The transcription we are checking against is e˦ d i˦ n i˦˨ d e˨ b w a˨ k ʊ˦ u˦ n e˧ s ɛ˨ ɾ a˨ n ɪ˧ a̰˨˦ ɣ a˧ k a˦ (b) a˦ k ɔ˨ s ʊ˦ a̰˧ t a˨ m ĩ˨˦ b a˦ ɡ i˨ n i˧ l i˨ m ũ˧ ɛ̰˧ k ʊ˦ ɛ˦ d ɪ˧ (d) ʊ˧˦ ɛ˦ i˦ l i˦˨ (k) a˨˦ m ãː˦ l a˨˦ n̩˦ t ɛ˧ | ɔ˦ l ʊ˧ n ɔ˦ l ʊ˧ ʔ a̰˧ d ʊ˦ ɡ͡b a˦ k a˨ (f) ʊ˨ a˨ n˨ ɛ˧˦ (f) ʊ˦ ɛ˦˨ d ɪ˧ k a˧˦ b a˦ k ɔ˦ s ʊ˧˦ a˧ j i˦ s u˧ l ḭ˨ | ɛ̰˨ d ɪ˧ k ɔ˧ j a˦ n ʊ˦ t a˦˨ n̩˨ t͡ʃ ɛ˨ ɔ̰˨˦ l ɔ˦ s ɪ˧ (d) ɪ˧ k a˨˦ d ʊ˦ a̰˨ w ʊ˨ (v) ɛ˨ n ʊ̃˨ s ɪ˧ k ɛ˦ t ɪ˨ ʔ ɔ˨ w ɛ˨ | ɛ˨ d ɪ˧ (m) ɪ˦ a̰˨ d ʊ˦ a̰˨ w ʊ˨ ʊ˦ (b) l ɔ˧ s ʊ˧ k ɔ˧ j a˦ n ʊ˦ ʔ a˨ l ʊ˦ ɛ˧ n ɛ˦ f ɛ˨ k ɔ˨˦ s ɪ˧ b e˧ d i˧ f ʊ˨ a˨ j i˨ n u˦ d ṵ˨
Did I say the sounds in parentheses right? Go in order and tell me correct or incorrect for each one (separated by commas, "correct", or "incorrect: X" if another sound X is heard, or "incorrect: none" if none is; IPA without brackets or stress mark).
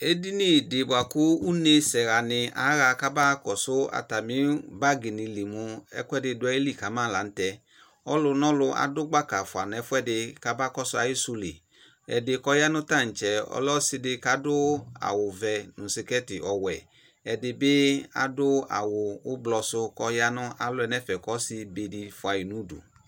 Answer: correct, correct, correct, correct, correct, correct, correct, incorrect: b, correct